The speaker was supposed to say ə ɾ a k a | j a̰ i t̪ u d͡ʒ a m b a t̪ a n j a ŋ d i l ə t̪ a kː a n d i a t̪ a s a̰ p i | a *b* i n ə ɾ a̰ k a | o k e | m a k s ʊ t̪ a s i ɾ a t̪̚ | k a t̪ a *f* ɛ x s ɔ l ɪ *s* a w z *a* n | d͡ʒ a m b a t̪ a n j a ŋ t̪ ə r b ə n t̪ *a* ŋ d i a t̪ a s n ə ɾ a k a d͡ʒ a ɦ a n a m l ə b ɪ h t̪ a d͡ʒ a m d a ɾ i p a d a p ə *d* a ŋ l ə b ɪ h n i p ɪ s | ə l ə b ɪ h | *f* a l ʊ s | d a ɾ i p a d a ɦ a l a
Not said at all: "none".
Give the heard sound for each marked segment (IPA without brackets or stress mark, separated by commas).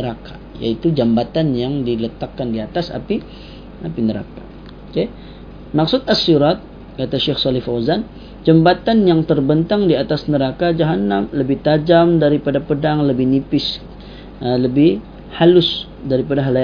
p, ʃ, f, a, a, d, h